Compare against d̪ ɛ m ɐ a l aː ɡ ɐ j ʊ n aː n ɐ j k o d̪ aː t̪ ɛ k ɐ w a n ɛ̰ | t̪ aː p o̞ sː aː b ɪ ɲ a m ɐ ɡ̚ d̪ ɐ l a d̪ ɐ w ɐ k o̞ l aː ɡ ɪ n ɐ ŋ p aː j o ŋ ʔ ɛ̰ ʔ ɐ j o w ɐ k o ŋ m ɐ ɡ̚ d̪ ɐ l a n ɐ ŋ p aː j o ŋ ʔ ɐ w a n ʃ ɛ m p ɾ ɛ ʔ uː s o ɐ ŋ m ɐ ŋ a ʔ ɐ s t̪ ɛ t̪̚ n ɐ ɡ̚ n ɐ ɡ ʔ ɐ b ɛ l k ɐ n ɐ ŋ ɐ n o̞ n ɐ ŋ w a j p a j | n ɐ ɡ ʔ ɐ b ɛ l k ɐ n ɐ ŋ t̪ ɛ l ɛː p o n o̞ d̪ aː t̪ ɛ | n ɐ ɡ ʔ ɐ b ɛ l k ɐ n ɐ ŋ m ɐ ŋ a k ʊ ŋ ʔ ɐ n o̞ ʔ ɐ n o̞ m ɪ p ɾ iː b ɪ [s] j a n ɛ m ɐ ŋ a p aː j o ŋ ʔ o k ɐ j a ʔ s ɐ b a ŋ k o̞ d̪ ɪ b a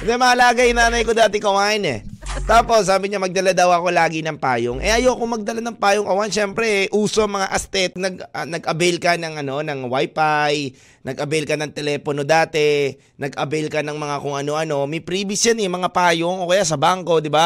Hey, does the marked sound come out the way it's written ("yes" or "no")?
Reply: yes